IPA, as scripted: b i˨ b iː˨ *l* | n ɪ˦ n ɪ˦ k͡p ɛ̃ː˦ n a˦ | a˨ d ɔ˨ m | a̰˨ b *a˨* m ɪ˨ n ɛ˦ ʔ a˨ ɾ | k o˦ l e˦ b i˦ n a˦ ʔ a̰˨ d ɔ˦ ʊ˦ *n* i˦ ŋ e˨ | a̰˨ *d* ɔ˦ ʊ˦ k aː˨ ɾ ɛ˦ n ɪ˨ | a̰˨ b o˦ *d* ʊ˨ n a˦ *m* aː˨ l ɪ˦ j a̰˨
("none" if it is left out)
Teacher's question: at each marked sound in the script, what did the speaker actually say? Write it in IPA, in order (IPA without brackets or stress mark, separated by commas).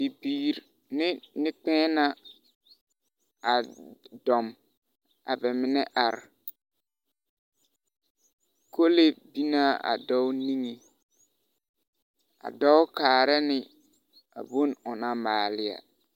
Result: ɾ, ɛ˨, n, d, n, m